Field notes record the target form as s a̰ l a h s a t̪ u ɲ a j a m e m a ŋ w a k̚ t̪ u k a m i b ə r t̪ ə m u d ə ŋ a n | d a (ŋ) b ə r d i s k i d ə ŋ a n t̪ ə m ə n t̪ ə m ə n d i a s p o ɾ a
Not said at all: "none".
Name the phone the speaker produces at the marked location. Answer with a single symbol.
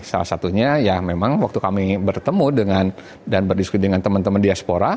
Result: n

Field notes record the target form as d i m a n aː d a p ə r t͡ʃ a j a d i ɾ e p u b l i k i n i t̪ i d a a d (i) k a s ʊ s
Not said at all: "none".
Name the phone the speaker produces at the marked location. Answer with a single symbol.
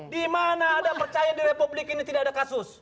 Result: a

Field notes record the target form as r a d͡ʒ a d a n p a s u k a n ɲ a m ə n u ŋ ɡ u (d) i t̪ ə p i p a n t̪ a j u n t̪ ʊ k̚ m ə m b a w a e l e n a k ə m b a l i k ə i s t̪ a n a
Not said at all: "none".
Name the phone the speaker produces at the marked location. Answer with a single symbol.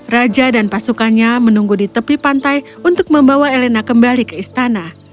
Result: d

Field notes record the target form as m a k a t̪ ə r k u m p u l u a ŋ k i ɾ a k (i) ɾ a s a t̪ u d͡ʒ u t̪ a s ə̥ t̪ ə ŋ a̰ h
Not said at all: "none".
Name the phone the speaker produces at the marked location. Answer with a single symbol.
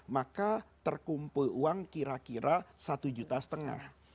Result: i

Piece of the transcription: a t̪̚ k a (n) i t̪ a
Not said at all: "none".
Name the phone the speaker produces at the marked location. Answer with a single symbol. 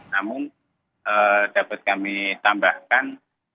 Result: m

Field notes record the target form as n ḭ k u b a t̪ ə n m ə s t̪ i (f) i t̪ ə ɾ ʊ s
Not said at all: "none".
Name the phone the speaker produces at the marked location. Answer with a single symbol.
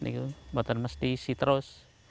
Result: s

